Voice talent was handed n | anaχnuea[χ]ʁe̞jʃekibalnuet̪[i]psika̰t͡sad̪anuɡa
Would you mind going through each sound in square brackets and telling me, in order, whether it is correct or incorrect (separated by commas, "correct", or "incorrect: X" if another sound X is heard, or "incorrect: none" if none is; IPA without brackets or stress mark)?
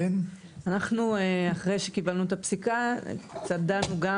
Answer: correct, incorrect: a